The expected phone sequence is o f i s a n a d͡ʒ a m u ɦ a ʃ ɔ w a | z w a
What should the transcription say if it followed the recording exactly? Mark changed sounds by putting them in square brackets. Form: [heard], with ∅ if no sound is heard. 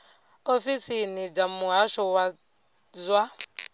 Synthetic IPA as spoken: o f i s [i] n [i] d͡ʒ a m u ɦ a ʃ ɔ w a | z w a

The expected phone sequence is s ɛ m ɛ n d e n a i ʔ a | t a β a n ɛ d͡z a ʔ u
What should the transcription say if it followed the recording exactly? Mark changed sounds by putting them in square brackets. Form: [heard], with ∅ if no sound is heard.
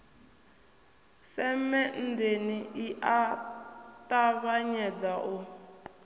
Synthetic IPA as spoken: s ɛ m ɛ n d e n [i] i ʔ a | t a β a [ɲ] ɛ d͡z a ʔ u

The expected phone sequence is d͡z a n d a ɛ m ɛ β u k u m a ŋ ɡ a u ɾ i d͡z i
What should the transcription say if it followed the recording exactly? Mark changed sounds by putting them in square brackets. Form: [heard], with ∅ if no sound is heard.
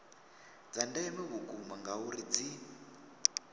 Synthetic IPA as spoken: d͡z a n d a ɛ m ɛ β u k u m a ŋ ɡ a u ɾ i d͡z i

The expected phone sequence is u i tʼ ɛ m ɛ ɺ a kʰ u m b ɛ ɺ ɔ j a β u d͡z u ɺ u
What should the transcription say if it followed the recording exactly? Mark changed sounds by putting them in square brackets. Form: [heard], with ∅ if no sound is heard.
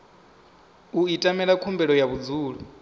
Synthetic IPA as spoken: u i tʼ [a] m ɛ ɺ a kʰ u m b ɛ ɺ ɔ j a β u d͡z [uː] ɺ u

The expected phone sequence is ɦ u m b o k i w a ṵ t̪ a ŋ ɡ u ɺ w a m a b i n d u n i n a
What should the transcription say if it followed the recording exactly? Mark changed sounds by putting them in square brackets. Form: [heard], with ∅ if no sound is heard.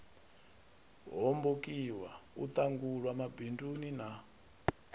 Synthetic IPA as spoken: ɦ [ɔ] m b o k i w a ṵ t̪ a ŋ ɡ u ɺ w a m a b i n d u n i n a

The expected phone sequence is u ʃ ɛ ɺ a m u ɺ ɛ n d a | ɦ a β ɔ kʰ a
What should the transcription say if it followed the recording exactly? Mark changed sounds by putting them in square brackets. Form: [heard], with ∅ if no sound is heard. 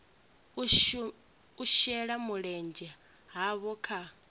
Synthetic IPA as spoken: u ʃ ɛ ɺ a m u ɺ ɛ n [d͡ʒ] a | ɦ a β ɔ kʰ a

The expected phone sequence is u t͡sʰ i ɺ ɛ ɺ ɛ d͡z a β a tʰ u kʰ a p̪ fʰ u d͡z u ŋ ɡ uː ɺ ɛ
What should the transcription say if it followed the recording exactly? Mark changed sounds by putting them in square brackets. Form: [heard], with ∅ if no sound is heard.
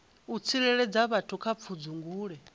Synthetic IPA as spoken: u t͡sʰ i ɺ ɛ ɺ ɛ d͡z a β a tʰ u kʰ a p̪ fʰ u d͡z u ŋ ɡ uː ɺ ɛ

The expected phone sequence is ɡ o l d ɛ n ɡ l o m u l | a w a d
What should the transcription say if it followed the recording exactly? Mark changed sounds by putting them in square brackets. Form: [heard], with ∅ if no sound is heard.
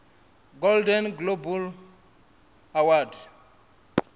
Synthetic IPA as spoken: ɡ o l d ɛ n ɡ l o [b] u l | a w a d

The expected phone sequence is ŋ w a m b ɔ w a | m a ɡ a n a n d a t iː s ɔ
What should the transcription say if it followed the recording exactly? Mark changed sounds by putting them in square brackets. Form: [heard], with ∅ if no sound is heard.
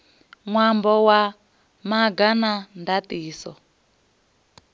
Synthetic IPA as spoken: ŋ w a m b ɔ w a | m a ɡ a n a n d a t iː s ɔ

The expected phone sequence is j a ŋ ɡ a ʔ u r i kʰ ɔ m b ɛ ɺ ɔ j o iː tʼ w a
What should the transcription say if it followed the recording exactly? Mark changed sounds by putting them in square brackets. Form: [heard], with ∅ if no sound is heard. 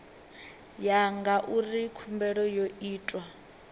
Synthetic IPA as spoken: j a ŋ ɡ a ʔ u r i kʰ [u] m b ɛ ɺ ɔ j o iː tʼ w a

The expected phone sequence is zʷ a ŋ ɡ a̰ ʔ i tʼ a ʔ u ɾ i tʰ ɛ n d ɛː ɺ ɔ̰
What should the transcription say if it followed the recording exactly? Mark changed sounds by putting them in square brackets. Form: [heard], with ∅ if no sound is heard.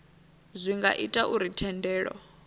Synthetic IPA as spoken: zʷ [i] ŋ ɡ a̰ ʔ i tʼ a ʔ u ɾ i tʰ ɛ n d ɛː ɺ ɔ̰

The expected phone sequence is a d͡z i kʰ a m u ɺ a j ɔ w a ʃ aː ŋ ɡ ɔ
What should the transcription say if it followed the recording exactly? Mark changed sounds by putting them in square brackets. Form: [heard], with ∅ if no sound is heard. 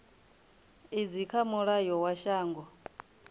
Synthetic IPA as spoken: [i] d͡z i kʰ a m u ɺ a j ɔ w a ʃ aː ŋ ɡ ɔ

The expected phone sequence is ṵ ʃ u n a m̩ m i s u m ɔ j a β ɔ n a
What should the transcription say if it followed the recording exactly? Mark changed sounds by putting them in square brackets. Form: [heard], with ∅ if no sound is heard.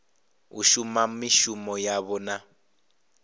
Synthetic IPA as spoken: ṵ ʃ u [m] a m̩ m i [ʃ] u m ɔ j a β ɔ n a

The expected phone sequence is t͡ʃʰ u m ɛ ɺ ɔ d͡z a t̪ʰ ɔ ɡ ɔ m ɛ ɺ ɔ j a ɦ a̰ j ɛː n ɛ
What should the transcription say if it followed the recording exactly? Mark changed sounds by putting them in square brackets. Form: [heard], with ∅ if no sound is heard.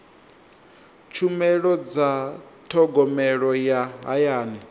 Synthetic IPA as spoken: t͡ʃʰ u m ɛ ɺ ɔ d͡z a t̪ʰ ɔ ɡ ɔ m ɛ ɺ ɔ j a ɦ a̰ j [aː] n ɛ

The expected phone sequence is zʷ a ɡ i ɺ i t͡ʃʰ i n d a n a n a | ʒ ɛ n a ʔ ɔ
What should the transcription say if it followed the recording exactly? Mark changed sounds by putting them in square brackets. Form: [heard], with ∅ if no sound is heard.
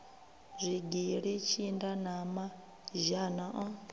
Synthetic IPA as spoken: zʷ [i] ɡ i ɺ i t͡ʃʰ i n d a n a [m] a | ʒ [a] n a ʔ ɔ

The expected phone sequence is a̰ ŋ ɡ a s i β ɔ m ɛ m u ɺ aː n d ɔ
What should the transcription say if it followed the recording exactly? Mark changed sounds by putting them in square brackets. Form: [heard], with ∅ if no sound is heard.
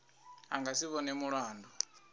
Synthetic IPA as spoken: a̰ ŋ ɡ a s i β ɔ [n] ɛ m u ɺ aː n d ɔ

